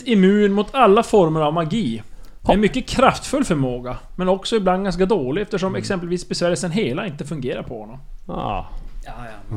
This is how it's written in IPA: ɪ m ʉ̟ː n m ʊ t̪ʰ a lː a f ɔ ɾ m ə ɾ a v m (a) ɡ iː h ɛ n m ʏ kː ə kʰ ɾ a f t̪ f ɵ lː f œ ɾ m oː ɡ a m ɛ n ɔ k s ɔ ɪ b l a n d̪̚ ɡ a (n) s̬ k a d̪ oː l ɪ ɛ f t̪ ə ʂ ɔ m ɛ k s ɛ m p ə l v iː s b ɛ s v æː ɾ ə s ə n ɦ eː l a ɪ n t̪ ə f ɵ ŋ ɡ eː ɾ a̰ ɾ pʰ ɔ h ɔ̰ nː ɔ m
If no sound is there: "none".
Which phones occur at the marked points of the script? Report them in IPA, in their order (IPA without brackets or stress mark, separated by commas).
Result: a, n